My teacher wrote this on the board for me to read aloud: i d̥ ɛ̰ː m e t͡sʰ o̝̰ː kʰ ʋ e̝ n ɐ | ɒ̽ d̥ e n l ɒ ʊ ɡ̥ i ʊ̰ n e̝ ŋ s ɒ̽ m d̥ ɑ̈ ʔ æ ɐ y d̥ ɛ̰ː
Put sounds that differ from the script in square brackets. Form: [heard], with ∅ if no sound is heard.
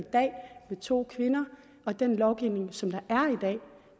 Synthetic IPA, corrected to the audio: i d̥ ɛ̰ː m e t͡sʰ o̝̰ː kʰ ʋ e̝ n ɐ | ɒ̽ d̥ e n l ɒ ʊ ɡ̥ i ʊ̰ n e̝ ŋ s ɒ̽ m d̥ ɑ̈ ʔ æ ɐ [i] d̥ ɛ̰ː